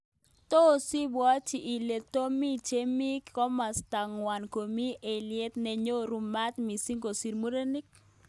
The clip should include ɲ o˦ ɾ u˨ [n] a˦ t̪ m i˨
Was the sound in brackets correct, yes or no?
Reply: no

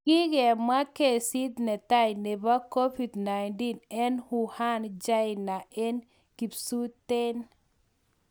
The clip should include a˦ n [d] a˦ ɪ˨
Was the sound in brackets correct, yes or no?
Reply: no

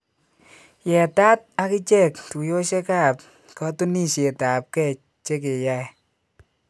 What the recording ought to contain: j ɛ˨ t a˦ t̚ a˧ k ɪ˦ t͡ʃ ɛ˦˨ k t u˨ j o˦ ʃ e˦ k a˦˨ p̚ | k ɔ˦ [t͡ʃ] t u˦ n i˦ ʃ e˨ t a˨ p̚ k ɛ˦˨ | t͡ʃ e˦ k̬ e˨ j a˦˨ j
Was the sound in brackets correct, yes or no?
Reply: no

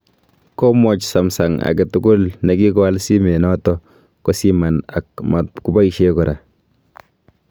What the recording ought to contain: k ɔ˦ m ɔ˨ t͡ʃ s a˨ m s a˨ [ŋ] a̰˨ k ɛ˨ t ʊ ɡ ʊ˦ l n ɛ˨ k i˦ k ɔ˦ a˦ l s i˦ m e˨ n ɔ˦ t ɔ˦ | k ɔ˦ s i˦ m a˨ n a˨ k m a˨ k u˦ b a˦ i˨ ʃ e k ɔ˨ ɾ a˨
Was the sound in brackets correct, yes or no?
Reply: yes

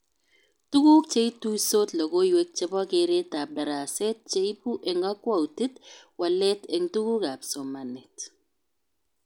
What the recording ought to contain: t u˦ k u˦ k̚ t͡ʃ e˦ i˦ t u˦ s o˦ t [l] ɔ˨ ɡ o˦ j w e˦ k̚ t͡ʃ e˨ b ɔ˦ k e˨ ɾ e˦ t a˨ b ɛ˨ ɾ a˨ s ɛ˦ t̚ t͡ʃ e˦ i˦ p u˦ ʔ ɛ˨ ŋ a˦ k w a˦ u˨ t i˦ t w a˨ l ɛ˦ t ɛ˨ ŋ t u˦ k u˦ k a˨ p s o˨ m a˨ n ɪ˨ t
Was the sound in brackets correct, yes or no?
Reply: yes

